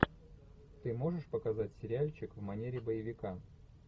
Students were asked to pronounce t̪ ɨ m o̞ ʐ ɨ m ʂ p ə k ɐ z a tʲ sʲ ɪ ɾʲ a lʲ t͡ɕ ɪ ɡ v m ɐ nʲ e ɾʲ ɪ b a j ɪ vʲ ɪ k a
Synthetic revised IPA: t̪ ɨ m o̞ ʐ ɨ ʂ p ə k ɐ z a tʲ sʲ ɪ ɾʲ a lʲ t͡ɕ ɪ k v m ɐ nʲ e ɾʲ ɪ b ə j ɪ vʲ ɪ k a